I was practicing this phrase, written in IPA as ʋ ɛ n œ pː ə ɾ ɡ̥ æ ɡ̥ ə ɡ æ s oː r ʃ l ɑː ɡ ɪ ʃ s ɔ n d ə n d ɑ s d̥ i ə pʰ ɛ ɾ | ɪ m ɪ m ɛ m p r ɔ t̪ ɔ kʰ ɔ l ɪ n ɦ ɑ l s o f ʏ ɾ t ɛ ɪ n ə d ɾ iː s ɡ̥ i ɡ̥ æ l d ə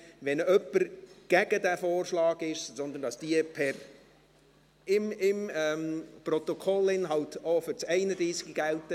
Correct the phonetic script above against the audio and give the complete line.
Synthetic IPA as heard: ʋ ɛ n œ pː ə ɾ ɡ̥ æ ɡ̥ ə d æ f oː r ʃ l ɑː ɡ ɪ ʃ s ɔ n d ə n d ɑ s d̥ i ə pʰ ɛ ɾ | ɪ m ɪ m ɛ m p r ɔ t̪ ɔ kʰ ɔ l ɪ n ɦ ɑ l t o f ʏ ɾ t͡s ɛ ɪ n ə d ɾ iː s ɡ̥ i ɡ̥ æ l t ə